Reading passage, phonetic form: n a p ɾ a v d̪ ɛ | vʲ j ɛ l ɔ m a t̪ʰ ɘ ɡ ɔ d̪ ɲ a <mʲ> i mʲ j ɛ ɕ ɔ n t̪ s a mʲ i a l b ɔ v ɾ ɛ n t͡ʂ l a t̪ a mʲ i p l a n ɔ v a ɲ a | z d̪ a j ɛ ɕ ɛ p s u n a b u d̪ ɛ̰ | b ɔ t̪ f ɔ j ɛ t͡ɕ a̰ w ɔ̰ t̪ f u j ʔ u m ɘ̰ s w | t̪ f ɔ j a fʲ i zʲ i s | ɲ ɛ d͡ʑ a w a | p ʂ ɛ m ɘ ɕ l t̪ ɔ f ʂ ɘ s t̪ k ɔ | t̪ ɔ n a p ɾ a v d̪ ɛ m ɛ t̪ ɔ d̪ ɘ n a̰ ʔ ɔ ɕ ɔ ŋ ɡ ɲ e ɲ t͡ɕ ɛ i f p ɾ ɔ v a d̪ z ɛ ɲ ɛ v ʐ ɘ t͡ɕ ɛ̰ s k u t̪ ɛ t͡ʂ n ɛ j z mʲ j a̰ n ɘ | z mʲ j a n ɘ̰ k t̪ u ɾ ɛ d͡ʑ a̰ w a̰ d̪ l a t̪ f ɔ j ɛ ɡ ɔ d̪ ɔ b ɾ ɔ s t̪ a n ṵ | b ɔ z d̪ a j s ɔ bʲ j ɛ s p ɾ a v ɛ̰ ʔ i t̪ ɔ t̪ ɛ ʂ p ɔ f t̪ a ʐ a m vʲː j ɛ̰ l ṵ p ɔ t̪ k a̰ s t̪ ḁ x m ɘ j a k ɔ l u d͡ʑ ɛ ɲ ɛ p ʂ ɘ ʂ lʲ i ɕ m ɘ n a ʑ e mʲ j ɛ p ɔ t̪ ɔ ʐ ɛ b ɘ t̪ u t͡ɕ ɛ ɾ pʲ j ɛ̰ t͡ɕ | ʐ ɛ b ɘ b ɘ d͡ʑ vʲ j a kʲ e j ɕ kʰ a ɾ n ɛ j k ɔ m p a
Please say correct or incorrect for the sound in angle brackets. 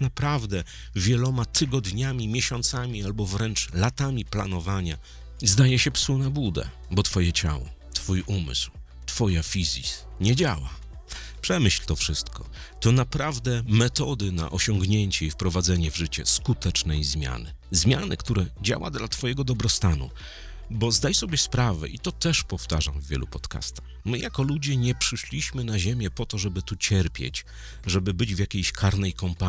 correct